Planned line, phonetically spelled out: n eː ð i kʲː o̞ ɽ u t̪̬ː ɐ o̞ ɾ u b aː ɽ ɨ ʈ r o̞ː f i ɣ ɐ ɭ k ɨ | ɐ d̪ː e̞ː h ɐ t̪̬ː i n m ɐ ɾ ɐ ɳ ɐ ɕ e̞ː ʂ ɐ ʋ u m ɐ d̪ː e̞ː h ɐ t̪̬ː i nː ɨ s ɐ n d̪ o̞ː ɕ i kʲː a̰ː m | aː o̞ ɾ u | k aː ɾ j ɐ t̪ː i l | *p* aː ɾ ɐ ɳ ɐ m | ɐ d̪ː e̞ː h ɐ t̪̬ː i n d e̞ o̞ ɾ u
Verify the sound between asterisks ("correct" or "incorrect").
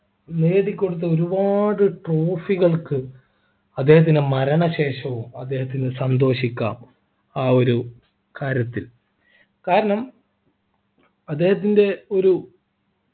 incorrect